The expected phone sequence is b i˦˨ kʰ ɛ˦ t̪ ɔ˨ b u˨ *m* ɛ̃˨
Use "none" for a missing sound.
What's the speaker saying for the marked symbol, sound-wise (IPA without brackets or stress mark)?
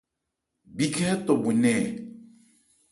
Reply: n